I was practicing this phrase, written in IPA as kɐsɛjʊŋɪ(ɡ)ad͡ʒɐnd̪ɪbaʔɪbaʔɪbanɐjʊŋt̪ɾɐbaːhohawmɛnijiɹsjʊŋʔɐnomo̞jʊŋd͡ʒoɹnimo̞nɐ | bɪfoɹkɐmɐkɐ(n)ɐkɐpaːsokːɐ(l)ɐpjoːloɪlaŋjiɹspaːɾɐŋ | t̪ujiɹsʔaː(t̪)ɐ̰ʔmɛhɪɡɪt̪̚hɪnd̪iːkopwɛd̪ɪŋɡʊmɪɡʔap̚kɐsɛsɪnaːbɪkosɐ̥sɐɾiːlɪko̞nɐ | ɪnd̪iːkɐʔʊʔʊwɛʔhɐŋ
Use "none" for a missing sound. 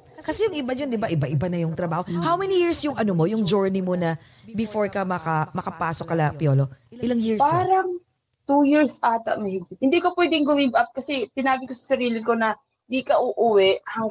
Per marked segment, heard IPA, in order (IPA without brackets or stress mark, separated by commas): b, m, l, t̪